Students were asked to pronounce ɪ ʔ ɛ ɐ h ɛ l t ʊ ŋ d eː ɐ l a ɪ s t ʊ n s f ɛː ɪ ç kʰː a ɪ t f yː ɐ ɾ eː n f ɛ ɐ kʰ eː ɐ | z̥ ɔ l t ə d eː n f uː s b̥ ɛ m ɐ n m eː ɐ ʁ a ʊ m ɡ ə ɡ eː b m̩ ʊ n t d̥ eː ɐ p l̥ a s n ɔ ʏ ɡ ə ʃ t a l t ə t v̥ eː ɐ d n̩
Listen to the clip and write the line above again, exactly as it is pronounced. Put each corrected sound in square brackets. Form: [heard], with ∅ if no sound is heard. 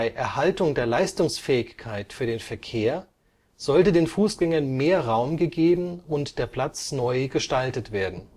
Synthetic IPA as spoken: ɪ ʔ ɛ ɐ h [a] l t ʊ ŋ d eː ɐ l a ɪ s t ʊ [ŋ] s f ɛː ɪ ç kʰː a ɪ t f yː ɐ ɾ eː n f ɛ ɐ kʰ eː ɐ | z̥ ɔ l t ə d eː n f uː s [ɡ̥] ɛ [ŋ] ɐ n m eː ɐ ʁ a ʊ m ɡ ə ɡ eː b m̩ ʊ n t d̥ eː ɐ p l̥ a [t͡s] n ɔ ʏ ɡ ə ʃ t a l t ə t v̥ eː ɐ d n̩